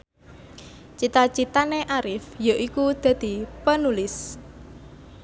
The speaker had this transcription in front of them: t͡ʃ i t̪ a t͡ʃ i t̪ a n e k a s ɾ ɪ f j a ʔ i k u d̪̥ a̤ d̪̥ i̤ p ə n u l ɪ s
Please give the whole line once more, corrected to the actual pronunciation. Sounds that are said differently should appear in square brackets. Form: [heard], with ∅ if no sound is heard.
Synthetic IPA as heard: t͡ʃ i t̪ a t͡ʃ i t̪ a n e [ʔ] a [∅] ɾ ɪ f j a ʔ i k u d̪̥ a̤ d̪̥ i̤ p ə n u l ɪ s